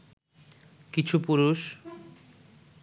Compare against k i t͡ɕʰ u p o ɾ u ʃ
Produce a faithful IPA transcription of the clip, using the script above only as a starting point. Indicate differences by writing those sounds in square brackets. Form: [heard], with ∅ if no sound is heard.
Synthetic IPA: k i t͡ɕʰ u p [u] ɾ u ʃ